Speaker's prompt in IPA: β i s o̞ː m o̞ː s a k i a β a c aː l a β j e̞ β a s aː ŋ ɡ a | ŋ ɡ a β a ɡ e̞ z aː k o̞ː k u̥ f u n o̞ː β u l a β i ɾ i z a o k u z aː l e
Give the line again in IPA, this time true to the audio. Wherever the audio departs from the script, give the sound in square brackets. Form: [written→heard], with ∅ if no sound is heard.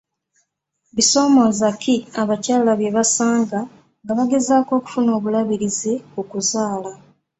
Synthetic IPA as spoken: β i s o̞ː m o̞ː [s→z] a k i a β a c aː l a β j e̞ β a s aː ŋ ɡ a | ŋ ɡ a β a ɡ e̞ z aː k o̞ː k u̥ f u n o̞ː β u l a β i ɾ i z [a→e] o k u z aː l [e→a]